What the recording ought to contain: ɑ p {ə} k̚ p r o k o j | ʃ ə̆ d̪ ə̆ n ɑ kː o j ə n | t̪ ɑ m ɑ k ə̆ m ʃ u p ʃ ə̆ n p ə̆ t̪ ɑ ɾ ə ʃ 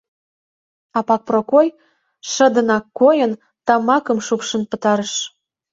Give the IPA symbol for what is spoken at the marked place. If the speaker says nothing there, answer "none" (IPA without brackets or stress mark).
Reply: ɑ